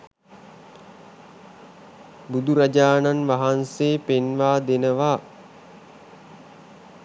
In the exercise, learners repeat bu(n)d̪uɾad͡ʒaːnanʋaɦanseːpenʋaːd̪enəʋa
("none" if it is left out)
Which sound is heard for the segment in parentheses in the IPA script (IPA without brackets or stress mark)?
none